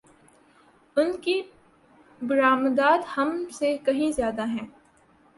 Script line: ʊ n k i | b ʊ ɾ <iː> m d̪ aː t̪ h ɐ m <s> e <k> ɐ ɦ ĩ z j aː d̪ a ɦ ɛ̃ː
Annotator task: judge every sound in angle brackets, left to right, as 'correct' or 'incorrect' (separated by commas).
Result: incorrect, correct, correct